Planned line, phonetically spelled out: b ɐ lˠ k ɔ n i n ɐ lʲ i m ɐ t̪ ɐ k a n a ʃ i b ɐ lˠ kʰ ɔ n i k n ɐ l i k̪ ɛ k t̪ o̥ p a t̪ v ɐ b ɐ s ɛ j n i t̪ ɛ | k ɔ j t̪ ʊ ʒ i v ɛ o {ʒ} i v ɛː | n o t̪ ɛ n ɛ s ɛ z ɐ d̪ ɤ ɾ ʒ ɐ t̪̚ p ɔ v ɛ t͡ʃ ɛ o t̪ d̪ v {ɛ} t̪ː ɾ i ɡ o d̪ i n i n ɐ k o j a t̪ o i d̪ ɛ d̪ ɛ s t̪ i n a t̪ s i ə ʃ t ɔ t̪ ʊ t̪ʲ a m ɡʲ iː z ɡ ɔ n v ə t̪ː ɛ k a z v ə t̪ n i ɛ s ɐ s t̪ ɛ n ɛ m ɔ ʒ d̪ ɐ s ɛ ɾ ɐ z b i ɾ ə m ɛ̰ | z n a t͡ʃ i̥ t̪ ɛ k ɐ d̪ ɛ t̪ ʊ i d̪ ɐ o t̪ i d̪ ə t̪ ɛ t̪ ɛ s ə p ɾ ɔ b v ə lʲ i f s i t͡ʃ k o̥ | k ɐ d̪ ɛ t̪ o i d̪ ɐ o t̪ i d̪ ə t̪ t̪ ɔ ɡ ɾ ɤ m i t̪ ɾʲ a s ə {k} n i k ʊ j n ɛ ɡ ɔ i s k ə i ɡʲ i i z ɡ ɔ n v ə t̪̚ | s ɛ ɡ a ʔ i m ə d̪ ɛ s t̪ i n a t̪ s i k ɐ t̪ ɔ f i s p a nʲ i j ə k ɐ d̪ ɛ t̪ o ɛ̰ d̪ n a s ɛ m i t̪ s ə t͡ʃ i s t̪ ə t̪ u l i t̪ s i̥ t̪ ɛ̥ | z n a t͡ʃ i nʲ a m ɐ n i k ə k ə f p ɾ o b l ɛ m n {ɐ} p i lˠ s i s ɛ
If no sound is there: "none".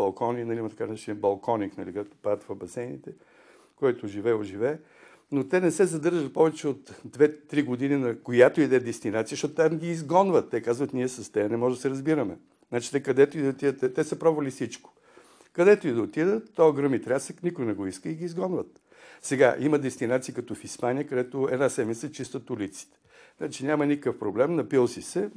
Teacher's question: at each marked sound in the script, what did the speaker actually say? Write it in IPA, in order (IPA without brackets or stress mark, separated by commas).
ʒ, ɛ, k, ɐ